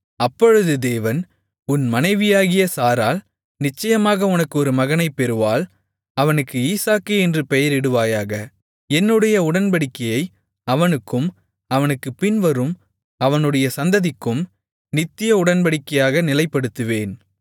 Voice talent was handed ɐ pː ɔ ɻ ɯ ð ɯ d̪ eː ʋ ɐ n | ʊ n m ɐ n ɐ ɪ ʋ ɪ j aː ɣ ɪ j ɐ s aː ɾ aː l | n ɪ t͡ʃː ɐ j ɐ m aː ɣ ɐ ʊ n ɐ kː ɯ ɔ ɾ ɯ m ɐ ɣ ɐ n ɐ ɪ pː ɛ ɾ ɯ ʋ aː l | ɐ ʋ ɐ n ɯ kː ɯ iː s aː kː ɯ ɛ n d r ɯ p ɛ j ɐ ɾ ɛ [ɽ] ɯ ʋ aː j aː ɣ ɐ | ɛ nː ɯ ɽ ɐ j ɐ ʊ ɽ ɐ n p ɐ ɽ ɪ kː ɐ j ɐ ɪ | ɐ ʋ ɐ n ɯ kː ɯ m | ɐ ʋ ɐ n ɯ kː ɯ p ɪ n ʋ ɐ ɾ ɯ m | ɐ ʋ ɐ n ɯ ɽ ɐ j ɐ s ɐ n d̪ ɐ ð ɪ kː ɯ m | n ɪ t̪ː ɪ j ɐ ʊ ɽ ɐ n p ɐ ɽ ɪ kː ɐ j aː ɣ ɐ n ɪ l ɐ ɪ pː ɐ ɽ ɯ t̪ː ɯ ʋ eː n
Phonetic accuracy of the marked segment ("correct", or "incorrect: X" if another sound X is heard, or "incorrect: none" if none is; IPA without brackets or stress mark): correct